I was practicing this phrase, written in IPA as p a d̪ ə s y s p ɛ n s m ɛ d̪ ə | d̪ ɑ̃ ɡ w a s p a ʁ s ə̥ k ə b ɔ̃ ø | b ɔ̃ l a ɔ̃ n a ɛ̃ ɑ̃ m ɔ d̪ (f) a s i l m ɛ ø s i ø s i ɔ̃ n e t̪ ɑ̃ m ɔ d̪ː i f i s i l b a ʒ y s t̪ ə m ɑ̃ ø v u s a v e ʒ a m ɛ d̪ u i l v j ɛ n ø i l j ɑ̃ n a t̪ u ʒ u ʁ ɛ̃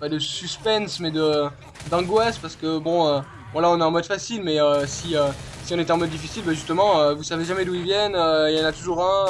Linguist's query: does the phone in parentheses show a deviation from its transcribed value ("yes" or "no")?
no